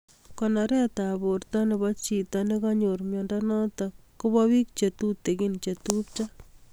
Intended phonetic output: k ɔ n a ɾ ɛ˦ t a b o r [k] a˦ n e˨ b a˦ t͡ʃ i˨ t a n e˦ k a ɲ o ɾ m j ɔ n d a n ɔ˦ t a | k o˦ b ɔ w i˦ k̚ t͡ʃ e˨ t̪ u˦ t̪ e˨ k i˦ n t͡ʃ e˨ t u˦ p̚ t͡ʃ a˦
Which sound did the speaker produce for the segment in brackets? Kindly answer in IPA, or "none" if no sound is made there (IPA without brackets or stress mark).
t